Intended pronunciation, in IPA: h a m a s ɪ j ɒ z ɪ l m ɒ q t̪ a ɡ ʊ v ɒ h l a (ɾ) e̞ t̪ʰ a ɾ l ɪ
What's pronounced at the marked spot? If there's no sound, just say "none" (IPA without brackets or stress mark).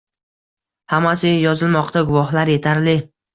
ɾ